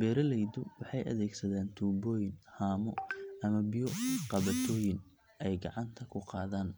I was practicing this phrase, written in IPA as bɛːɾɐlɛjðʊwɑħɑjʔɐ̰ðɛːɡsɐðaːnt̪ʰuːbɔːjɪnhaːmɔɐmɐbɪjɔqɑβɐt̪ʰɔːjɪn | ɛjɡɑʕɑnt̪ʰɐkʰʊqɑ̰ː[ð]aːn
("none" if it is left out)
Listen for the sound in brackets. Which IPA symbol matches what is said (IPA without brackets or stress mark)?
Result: ð